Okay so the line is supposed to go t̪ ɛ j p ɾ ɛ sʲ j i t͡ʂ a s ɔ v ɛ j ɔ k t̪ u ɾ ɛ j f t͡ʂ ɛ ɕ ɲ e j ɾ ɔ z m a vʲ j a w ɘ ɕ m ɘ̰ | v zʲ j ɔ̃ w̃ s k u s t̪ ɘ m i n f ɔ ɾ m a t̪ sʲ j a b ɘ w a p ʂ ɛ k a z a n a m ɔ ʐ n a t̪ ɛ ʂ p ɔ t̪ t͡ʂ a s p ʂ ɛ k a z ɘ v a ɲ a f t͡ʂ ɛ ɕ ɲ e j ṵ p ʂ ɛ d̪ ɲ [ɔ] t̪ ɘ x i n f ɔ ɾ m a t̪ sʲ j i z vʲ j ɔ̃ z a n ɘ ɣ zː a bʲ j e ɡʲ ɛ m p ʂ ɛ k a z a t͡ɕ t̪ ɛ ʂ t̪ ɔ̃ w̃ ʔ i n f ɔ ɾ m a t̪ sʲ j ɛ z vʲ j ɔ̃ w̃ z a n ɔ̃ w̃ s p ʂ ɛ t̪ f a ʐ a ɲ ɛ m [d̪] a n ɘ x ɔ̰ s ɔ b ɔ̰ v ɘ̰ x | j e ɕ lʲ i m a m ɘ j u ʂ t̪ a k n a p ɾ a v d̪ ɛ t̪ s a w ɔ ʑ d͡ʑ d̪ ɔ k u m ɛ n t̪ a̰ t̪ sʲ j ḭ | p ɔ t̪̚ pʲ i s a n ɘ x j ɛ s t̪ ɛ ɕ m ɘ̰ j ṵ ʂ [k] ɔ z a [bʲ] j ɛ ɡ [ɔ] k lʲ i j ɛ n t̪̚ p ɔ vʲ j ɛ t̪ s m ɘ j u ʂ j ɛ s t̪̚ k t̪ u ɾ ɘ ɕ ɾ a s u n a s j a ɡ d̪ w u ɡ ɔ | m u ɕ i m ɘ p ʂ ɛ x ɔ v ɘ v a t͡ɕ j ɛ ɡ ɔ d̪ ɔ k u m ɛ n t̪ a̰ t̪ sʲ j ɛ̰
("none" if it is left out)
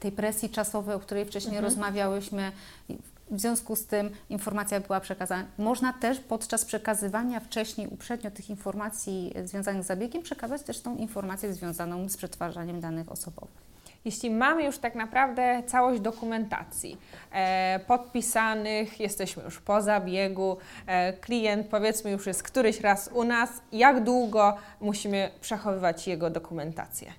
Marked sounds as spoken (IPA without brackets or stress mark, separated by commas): ɔ, d̪, p, bʲ, u